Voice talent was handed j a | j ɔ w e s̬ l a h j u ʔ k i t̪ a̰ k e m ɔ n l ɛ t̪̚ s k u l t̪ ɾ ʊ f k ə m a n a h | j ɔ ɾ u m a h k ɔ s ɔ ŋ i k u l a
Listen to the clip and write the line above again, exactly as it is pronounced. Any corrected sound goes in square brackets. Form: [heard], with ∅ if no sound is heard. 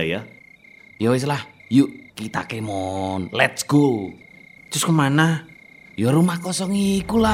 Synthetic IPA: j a | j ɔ w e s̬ l a h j u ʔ k i t̪ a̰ k e m ɔ n l ɛ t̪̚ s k u l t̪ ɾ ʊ [s] k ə m a n a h | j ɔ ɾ u m a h k ɔ s ɔ ŋ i k u l a